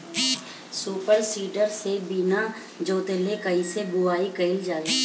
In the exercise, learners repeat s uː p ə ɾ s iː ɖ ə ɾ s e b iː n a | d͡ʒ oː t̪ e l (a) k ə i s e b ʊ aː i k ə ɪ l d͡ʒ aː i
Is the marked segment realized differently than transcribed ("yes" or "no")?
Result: yes